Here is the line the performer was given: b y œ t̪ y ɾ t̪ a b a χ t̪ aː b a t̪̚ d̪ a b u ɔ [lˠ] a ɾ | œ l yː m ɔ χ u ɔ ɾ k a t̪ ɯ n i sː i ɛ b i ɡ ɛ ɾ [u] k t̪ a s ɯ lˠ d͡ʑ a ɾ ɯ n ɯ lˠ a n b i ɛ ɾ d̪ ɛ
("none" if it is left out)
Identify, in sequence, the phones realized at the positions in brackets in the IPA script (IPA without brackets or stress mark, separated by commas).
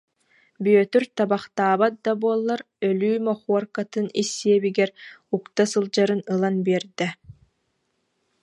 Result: lˠː, u